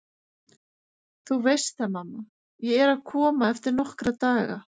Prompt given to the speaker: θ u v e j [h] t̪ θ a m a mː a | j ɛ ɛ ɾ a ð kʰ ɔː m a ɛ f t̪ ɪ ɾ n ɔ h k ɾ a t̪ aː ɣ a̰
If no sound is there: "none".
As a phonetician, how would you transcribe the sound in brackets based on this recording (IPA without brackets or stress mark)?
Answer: s